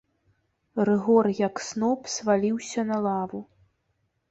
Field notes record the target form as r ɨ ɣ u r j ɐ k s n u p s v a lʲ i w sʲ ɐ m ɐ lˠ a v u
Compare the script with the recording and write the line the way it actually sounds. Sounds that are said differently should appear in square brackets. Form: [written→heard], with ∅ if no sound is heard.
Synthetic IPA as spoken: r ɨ ɣ [u→ɔ] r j ɐ k s n [u→ɔ] p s v a lʲ i w sʲ ɐ [m→n] ɐ lˠ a v u